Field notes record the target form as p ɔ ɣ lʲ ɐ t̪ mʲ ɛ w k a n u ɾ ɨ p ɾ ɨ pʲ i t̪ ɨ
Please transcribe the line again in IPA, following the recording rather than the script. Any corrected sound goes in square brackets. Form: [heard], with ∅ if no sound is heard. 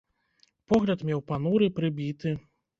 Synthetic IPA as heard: p ɔ ɣ lʲ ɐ t̪ mʲ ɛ w [p] a n u ɾ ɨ p ɾ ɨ [bʲ] i t̪ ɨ

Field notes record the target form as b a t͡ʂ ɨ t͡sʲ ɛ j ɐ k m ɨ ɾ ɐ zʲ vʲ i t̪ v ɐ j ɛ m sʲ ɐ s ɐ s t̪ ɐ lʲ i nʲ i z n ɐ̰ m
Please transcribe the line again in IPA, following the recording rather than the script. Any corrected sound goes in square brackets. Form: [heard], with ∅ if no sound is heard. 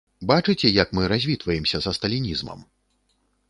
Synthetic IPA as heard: b a t͡ʂ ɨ t͡sʲ ɛ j ɐ k m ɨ ɾ [a] zʲ vʲ i t̪ v ɐ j ɛ m sʲ ɐ [z] ɐ s t̪ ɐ lʲ i nʲ i z [m] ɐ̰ m

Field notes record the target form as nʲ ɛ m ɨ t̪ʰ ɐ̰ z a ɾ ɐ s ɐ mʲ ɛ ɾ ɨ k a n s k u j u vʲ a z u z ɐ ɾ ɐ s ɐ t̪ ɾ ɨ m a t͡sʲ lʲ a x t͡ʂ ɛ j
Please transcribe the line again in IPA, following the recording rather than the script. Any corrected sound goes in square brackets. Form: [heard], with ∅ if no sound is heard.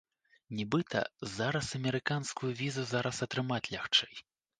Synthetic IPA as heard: nʲ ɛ [b] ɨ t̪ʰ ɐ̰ z a ɾ ɐ s ɐ mʲ ɛ ɾ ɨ k a n s k u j u vʲ [i] z u z [a] ɾ ɐ s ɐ t̪ ɾ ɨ m a t͡sʲ lʲ a x t͡ʂ ɛ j

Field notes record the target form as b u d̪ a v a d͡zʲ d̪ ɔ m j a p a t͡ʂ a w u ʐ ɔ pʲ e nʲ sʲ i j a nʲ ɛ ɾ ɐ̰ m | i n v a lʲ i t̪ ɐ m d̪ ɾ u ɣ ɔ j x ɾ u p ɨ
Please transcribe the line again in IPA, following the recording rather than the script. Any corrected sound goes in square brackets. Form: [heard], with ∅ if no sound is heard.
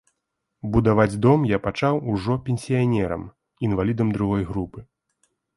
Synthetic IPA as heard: b u d̪ a v a d͡zʲ d̪ ɔ m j a p a t͡ʂ a w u ʐ ɔ pʲ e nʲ sʲ i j a nʲ ɛ ɾ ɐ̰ m | i n v a lʲ i [d̪] ɐ m d̪ ɾ u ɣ ɔ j [ɣ] ɾ u p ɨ

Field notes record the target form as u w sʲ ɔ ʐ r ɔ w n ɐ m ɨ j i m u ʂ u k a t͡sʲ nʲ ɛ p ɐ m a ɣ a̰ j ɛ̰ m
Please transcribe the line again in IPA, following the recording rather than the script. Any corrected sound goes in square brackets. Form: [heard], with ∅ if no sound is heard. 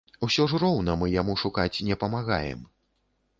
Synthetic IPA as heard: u [∅] sʲ ɔ ʐ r ɔ w n ɐ m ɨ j [a] m u ʂ u k a t͡sʲ nʲ ɛ p ɐ m a ɣ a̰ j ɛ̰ m

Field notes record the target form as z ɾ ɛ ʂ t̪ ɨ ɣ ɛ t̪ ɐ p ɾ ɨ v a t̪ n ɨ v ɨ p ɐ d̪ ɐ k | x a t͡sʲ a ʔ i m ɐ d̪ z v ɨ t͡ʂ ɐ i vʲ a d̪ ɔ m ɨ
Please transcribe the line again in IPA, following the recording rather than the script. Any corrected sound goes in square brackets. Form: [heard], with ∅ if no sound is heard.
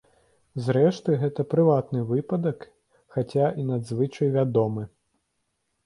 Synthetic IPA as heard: z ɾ ɛ ʂ t̪ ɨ ɣ ɛ t̪ ɐ p ɾ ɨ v a t̪ n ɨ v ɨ p ɐ d̪ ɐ k | x a t͡sʲ a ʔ i [n] ɐ d̪ z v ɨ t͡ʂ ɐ [j] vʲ a d̪ ɔ m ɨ

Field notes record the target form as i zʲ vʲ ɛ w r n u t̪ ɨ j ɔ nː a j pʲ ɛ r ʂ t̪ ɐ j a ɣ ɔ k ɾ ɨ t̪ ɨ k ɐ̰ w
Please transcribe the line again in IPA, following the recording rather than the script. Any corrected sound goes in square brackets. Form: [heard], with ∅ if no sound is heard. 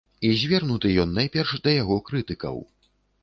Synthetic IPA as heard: i zʲ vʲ ɛ [∅] r n u t̪ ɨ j ɔ nː a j pʲ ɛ r ʂ [d̪] ɐ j a ɣ ɔ k ɾ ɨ t̪ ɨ k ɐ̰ w

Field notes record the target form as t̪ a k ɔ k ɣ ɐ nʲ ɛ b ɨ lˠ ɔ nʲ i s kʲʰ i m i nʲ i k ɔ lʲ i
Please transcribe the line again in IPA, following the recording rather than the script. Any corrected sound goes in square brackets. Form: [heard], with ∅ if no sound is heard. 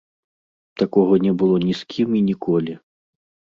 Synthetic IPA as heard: t̪ a k ɔ [∅] ɣ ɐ nʲ ɛ b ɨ lˠ ɔ nʲ i s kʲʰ i m i nʲ i k ɔ lʲ i

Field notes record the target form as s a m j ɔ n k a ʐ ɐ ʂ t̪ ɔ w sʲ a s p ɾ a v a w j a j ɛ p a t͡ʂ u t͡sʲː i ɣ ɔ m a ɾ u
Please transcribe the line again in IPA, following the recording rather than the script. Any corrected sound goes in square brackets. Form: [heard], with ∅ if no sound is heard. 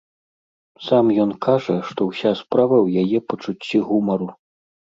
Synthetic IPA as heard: s a m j ɔ n k a ʐ ɐ ʂ t̪ ɔ w sʲ a s p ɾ a v [ɐ] w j a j ɛ p [ɐ] t͡ʂ u t͡sʲː i ɣ [u] m [ɐ] ɾ u

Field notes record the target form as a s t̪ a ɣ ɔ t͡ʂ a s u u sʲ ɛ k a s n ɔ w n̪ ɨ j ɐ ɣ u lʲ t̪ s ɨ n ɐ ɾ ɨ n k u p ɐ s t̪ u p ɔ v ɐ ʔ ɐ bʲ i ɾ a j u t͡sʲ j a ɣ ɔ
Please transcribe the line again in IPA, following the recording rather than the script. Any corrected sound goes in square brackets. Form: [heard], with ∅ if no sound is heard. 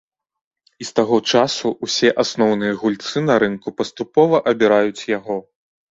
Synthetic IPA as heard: [i] s t̪ a ɣ ɔ t͡ʂ a s u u sʲ ɛ [ʔ] a s n ɔ w n̪ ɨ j ɐ ɣ u lʲ t̪ s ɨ n ɐ ɾ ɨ n k u p ɐ s t̪ u p ɔ v ɐ ʔ ɐ bʲ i ɾ a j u t͡sʲ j a ɣ ɔ

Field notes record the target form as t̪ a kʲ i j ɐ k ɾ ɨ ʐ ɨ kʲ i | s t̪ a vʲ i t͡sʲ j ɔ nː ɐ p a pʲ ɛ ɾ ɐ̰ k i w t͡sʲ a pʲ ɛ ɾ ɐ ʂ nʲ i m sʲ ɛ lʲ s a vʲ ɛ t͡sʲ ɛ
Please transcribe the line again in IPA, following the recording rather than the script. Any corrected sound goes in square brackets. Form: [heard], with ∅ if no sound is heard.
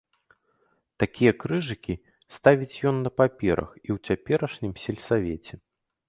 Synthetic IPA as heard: t̪ a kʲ i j ɐ k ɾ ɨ ʐ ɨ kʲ i | s t̪ a vʲ i t͡sʲ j ɔ nː ɐ p a pʲ ɛ ɾ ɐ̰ [x] i w t͡sʲ a pʲ ɛ ɾ ɐ ʂ nʲ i m sʲ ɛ lʲ s a vʲ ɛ t͡sʲ ɛ

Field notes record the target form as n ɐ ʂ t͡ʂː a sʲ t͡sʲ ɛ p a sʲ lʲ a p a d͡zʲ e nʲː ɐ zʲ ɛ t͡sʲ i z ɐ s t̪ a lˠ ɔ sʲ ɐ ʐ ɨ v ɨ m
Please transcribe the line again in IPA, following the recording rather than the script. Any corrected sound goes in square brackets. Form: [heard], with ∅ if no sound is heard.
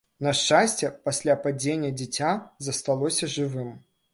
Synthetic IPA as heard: n ɐ ʂ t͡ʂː a sʲ t͡sʲ ɛ p a sʲ lʲ a p a d͡zʲ e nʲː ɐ [d͡zʲ] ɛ t͡sʲ [a] z ɐ s t̪ a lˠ ɔ sʲ ɐ ʐ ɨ v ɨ m

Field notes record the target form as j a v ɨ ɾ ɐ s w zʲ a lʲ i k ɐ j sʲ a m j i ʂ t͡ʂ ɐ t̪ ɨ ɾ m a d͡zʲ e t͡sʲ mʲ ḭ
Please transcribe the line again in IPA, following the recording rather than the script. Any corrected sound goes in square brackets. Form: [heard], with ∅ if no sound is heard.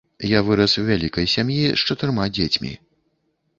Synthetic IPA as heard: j a v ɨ ɾ ɐ s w [vʲ] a lʲ i k ɐ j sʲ a m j i ʂ t͡ʂ ɐ t̪ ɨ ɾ m a d͡zʲ e t͡sʲ mʲ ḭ

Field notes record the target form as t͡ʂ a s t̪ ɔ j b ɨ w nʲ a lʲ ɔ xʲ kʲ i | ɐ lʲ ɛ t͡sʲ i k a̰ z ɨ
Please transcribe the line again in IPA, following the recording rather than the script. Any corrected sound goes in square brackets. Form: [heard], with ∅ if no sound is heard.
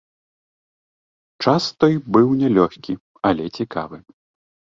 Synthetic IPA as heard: t͡ʂ a s t̪ ɔ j b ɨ w nʲ [ɛ] lʲ ɔ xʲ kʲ i | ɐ lʲ ɛ t͡sʲ i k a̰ [v] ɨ

